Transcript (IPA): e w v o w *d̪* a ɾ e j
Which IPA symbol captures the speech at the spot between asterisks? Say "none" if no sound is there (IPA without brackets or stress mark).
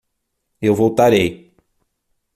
t̪